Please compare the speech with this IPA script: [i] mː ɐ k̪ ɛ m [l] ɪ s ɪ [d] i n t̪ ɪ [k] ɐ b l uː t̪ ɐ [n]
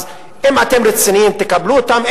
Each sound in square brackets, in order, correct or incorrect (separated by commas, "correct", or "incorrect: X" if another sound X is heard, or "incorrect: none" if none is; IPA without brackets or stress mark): incorrect: ɪ, incorrect: ɾ, incorrect: n, correct, incorrect: m